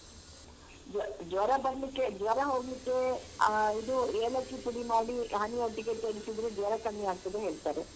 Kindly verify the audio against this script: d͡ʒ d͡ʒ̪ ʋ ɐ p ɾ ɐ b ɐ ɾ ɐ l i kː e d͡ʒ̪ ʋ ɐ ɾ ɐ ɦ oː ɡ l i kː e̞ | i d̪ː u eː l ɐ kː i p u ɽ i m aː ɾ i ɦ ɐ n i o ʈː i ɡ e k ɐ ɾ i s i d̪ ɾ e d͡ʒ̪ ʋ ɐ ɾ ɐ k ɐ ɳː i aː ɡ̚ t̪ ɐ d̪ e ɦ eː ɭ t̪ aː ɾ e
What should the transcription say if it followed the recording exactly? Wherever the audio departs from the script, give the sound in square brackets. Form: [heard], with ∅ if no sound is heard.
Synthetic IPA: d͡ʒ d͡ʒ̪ ʋ ɐ [∅] ɾ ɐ b ɐ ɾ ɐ l i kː e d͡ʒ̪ ʋ ɐ ɾ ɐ ɦ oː ɡ l i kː e̞ | i [d̪] u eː l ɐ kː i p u ɽ i m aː [ɽ] i ɦ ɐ n i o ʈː i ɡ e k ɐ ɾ i s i d̪ ɾ e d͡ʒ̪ ʋ ɐ ɾ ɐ k ɐ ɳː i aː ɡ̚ t̪ ɐ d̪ e ɦ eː ɭ t̪ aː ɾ e